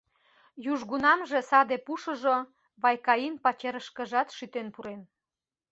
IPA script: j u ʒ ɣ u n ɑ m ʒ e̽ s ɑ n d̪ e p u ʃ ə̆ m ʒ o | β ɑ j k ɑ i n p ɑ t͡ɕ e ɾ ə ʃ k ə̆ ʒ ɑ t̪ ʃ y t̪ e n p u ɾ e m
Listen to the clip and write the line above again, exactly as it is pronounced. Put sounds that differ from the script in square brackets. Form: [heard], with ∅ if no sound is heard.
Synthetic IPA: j u ʒ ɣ u n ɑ m ʒ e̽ s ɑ [∅] d̪ e p u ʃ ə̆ [∅] ʒ o | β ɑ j k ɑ i n p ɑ t͡ɕ e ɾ ə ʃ k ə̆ ʒ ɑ t̪ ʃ y t̪ e n p u ɾ e [n]

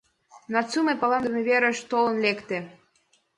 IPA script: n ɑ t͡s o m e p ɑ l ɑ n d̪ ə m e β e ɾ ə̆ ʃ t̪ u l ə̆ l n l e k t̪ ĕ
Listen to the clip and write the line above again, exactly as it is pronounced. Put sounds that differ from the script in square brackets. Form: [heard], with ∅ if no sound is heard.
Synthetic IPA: n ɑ t͡s [u] m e p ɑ l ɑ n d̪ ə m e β e ɾ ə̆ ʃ t̪ [o] l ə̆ [∅] n l e k t̪ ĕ

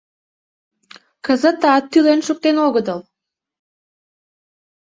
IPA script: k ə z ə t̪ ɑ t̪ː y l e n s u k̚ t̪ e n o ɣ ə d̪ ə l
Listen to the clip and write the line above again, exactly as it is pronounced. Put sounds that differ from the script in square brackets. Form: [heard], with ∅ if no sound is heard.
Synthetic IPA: k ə z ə t̪ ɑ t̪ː y l e n [ʃ] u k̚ t̪ e n o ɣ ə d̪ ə l

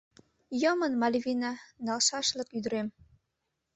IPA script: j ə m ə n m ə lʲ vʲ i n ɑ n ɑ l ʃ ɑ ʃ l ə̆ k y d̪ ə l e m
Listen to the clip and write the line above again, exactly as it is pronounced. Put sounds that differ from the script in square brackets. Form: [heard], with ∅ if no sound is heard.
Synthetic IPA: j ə m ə n m [ɑ] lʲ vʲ i n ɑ n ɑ l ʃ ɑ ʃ l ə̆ k y d̪ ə [ɾ] e m

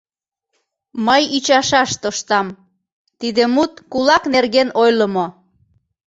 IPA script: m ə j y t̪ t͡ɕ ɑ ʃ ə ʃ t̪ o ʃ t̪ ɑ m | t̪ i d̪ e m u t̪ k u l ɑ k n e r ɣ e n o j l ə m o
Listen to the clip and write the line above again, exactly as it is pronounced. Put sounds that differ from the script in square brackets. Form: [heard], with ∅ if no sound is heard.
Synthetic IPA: m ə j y [∅] t͡ɕ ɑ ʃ [ɑ] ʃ t̪ o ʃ t̪ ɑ m | t̪ i d̪ e m u t̪ k u l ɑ k n e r ɣ e n o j l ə m o

